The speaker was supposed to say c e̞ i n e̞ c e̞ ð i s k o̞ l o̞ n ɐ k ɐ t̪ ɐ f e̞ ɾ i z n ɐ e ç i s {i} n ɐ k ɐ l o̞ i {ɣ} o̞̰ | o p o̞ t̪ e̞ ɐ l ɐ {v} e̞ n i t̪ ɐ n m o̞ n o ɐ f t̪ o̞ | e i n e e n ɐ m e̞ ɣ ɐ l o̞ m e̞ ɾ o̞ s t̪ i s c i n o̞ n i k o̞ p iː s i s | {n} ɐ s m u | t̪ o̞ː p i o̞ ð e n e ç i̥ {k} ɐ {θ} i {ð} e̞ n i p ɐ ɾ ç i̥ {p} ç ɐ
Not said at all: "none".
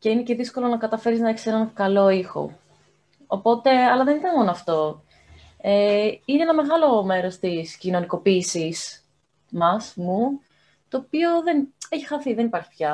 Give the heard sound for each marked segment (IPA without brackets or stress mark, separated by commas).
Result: e, x, ð, m, x, θ, ð, p